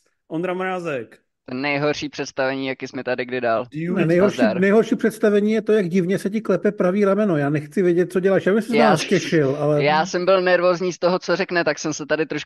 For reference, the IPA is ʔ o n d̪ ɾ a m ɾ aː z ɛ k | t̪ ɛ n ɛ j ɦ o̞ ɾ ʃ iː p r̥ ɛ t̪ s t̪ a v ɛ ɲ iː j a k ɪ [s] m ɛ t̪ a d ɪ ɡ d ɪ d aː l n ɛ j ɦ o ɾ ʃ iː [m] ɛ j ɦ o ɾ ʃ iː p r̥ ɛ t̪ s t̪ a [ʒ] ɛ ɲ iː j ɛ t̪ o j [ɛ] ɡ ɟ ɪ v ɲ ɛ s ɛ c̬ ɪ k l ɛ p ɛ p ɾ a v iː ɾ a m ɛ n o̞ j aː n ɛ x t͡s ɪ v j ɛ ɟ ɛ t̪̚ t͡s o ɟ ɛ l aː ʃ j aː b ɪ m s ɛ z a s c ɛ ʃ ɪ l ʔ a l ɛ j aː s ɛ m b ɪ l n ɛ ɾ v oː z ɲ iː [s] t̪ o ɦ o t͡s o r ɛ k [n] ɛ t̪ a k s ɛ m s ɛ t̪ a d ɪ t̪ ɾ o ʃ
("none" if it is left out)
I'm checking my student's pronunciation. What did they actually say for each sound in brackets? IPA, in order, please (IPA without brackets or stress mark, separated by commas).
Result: s, n, v, a, s, n